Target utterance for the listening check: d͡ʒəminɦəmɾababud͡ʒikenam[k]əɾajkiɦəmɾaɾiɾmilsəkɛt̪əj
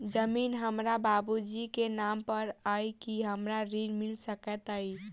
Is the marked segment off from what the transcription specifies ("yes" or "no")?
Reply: yes